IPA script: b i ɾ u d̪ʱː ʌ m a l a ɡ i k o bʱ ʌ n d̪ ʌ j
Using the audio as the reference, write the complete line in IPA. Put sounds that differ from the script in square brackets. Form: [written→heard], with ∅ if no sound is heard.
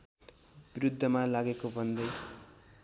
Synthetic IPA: b i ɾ u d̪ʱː ʌ m a l a ɡ [i→e] k o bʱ ʌ n d̪ ʌ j